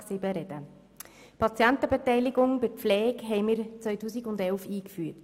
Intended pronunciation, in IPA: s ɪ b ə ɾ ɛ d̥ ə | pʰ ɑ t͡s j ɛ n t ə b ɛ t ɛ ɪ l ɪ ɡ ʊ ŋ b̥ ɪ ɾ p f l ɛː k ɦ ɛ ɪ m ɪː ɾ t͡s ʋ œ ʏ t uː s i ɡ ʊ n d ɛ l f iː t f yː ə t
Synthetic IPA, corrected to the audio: s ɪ b ə ɾ ɛ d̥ ə | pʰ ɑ t͡s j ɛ n t ə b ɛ t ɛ ɪ l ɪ ɡ ʊ ŋ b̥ ɪ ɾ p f l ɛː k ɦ ɛ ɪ m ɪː ɾ t͡s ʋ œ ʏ t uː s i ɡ ʊ n d ɛ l f iː k f yː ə t